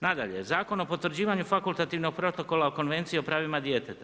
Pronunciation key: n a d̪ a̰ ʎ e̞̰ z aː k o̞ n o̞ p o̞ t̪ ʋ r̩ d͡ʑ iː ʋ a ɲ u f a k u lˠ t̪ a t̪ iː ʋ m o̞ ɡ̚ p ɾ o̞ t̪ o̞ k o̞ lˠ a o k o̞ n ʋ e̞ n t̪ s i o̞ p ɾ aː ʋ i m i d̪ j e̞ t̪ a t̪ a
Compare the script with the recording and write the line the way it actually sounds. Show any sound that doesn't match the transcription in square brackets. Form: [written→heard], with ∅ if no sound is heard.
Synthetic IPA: n a d̪ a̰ ʎ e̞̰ z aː k o̞ n o̞ p o̞ t̪ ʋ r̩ d͡ʑ iː ʋ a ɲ u f a k u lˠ t̪ a t̪ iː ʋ [m→n] o̞ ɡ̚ p ɾ o̞ t̪ o̞ k o̞ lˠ a o k o̞ n ʋ e̞ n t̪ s i o̞ p ɾ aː ʋ i m [i→a] d̪ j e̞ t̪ [a→e] t̪ a